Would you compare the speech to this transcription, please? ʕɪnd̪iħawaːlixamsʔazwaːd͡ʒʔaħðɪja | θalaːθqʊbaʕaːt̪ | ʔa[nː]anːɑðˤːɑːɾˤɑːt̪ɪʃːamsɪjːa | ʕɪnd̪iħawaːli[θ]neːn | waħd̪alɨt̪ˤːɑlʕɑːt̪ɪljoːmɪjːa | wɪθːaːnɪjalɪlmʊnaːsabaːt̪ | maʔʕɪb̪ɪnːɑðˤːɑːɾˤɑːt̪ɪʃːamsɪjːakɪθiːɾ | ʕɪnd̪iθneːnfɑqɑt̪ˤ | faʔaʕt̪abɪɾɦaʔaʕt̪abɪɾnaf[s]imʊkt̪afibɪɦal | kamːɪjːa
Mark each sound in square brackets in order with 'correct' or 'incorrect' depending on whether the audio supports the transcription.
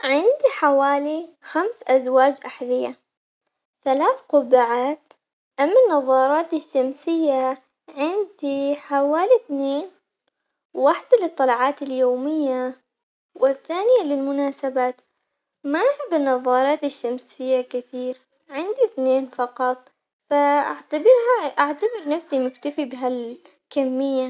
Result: incorrect: mː, correct, correct

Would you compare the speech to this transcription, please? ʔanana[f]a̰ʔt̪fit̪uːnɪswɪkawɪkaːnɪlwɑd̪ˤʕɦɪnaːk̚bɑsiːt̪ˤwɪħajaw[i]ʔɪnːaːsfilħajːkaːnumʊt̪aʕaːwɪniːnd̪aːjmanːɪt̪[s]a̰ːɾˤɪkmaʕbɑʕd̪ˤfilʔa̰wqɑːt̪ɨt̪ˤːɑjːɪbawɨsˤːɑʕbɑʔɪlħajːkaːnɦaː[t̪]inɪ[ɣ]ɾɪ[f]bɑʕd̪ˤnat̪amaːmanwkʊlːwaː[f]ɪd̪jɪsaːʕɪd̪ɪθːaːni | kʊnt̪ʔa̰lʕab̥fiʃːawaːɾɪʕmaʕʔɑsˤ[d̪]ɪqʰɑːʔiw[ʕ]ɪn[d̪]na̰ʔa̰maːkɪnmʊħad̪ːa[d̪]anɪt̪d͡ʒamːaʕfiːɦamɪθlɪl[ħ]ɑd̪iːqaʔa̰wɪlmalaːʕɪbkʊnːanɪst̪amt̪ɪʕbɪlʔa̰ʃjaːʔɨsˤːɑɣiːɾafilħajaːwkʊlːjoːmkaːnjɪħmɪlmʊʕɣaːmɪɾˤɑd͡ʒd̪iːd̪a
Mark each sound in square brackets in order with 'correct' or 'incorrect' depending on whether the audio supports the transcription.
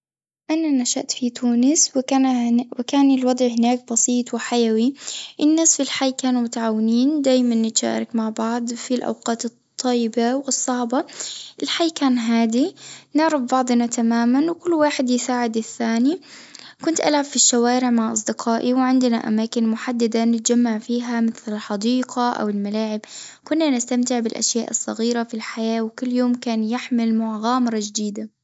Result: incorrect: ʃ, correct, incorrect: ʃ, incorrect: d̪, incorrect: ʕ, correct, incorrect: ħ, correct, correct, correct, correct, correct

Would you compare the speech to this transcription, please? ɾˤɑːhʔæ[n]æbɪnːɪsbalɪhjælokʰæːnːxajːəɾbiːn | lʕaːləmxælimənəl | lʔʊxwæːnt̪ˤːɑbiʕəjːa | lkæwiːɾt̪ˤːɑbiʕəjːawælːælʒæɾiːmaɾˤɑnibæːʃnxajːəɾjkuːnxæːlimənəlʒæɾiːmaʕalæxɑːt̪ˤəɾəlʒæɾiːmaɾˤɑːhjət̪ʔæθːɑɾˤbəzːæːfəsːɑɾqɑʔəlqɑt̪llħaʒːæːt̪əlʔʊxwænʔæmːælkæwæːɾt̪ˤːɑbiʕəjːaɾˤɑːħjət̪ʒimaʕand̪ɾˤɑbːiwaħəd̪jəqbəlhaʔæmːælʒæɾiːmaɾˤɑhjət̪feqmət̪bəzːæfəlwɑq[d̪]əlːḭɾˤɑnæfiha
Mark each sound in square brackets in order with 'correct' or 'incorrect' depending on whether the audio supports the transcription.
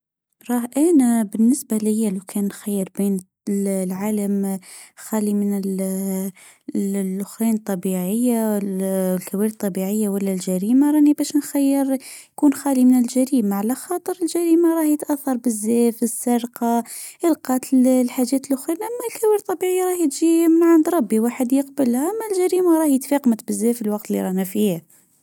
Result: correct, incorrect: t̪

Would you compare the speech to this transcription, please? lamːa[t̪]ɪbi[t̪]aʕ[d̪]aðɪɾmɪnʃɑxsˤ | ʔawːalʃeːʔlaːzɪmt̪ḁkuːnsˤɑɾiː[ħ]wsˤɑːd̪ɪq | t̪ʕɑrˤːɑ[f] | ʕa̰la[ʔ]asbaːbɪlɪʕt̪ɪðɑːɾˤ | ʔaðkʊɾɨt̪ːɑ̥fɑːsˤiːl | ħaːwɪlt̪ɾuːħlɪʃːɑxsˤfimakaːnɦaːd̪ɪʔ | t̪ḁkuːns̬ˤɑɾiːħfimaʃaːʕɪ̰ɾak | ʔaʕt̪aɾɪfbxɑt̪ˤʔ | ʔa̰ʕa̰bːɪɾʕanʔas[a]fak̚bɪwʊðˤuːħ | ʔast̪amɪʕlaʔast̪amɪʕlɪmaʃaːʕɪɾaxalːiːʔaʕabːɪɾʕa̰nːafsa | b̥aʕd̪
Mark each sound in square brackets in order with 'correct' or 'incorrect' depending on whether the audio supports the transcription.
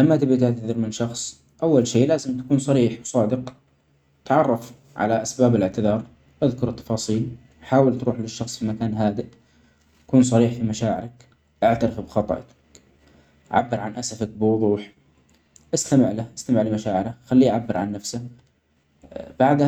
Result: correct, correct, incorrect: t̪, correct, correct, correct, correct

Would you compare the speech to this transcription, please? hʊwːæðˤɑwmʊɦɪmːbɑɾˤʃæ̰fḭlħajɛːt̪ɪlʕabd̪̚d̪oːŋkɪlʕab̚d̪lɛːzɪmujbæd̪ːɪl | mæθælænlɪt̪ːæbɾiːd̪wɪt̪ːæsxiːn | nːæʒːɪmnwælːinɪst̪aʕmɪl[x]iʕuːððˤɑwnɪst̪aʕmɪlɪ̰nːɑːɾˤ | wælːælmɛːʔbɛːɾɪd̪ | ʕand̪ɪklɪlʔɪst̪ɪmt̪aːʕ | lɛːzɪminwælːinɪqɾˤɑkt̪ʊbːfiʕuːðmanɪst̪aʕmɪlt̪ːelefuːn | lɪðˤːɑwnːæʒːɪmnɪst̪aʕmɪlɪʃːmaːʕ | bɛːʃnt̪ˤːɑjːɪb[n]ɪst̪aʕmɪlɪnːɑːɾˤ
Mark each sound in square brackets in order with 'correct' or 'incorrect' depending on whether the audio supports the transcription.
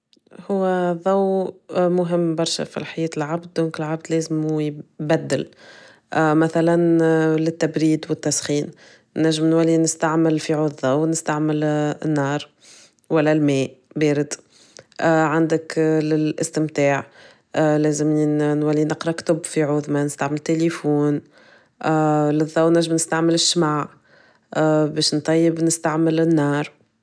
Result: incorrect: f, correct

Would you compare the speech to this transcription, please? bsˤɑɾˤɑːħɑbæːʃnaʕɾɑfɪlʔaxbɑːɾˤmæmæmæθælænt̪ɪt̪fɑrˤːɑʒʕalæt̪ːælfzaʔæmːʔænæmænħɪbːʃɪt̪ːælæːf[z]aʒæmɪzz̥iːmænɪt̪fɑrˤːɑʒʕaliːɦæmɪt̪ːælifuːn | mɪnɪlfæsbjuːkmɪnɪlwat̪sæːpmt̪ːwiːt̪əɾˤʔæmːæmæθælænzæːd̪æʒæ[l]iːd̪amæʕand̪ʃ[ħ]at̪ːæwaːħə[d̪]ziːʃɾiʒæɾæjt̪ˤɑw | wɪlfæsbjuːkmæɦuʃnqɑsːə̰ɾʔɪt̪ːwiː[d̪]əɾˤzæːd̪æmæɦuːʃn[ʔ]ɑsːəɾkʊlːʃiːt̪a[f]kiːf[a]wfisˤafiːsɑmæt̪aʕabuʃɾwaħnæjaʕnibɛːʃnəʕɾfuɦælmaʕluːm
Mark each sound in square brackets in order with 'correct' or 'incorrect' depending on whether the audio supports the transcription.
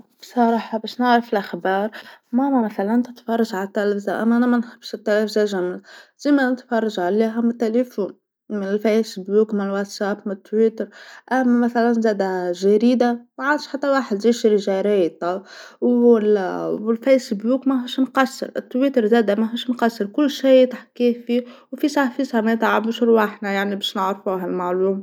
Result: correct, incorrect: ɾ, correct, correct, incorrect: t̪, incorrect: q, incorrect: ħ, incorrect: i

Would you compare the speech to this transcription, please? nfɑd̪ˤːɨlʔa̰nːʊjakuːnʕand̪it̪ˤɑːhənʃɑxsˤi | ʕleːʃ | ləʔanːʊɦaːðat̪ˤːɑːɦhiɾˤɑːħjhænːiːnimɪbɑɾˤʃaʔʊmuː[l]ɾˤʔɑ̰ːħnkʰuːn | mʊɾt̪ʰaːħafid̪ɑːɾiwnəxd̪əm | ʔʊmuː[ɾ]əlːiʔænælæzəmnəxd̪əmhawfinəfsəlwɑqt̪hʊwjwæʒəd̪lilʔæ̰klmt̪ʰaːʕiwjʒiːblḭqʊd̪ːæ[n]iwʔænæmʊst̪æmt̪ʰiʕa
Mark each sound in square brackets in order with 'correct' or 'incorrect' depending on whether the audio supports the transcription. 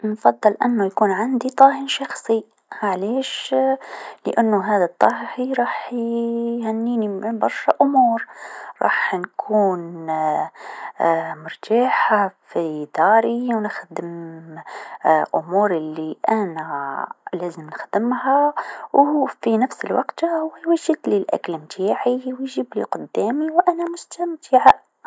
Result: incorrect: ɾ, correct, incorrect: m

